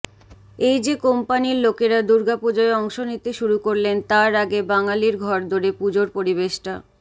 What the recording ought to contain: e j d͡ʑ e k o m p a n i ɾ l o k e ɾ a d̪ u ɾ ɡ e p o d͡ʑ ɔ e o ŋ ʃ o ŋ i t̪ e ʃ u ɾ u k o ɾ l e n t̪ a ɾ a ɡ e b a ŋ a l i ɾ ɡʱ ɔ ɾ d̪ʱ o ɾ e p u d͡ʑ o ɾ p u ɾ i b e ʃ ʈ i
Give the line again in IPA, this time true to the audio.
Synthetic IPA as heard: e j d͡ʑ e k o m p a n i ɾ l o k e ɾ a d̪ u ɾ ɡ a p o d͡ʑ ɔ e ɔ ŋ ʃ o n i t̪ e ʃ u ɾ u k o ɾ l e n t̪ a ɾ a ɡ e b a ŋ a l i ɾ ɡʱ ɔ ɾ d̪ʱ o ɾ e p u d͡ʑ o ɾ p o ɾ i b e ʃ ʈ a